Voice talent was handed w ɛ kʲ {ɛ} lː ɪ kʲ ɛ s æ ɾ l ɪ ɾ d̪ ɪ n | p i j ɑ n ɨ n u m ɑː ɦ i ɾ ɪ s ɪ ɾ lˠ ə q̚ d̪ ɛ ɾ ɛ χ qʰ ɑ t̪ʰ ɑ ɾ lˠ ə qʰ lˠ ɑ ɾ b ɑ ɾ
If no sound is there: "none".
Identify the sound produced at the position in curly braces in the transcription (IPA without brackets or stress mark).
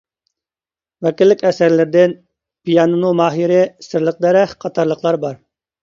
i